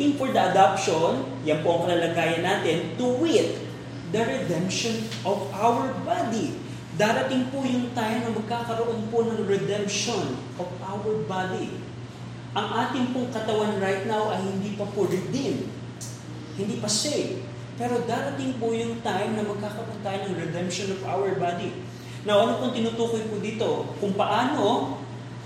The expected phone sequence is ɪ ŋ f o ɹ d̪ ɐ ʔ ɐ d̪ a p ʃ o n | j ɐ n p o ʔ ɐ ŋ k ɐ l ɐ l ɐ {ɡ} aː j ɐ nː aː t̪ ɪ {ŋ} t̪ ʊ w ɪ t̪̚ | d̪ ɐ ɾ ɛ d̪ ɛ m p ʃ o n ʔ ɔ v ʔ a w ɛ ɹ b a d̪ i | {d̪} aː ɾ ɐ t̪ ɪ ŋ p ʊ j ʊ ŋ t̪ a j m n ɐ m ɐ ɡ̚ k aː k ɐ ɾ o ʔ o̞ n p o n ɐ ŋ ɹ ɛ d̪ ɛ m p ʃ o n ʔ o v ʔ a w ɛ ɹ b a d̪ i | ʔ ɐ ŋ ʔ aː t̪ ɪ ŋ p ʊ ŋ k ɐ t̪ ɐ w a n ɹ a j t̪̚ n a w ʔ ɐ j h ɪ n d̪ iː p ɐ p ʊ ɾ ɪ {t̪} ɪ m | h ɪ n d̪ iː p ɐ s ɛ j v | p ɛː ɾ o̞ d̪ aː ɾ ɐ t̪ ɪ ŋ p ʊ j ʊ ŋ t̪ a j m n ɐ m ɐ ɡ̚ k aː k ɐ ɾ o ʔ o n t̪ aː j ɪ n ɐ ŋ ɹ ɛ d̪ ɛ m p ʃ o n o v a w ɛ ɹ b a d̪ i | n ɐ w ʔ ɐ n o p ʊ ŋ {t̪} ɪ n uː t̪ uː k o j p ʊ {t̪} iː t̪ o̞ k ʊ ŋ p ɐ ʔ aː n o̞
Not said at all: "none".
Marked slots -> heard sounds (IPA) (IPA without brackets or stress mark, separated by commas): ɡ, n, d̪, d̪, t̪, d̪